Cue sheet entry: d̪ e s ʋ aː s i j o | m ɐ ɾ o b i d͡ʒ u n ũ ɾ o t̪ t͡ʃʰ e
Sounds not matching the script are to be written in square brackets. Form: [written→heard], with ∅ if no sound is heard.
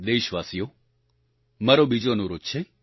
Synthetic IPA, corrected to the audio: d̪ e [s→ʃ] ʋ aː s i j o | m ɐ ɾ o b i d͡ʒ [u→o] n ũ ɾ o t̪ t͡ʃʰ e